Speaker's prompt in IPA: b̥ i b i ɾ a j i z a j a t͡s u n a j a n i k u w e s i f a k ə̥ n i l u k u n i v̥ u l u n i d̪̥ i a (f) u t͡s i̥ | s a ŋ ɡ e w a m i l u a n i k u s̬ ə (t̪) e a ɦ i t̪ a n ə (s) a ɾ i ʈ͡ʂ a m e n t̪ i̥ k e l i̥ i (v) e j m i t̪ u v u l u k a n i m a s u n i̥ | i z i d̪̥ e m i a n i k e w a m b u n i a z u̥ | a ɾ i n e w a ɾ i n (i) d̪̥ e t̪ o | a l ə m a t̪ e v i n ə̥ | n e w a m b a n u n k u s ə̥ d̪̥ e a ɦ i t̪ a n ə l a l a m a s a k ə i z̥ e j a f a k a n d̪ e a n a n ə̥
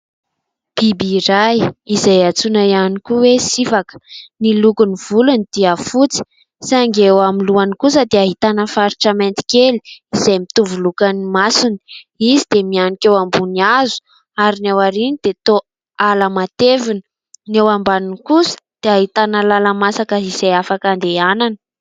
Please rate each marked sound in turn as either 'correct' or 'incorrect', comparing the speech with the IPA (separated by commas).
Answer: correct, incorrect, incorrect, incorrect, correct